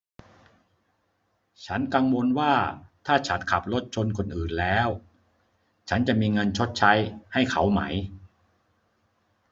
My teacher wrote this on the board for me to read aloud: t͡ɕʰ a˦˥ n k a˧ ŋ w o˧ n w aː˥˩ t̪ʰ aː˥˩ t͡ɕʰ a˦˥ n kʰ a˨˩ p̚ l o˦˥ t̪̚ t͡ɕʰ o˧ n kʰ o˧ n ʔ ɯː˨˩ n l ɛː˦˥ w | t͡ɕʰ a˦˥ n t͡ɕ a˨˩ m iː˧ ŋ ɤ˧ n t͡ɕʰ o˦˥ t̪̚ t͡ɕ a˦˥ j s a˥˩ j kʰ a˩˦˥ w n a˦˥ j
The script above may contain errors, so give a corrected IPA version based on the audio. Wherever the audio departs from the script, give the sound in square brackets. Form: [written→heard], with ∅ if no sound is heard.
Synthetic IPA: t͡ɕʰ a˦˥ n k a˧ ŋ w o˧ n w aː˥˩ t̪ʰ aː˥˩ t͡ɕʰ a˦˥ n kʰ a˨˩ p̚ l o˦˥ t̪̚ t͡ɕʰ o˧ n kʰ o˧ n ʔ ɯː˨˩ n l ɛː˦˥ w | t͡ɕʰ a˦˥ n t͡ɕ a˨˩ m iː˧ ŋ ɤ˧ n t͡ɕʰ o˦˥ t̪̚ [t͡ɕ→t͡ɕʰ] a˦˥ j [s→h] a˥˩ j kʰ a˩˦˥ w [n→m] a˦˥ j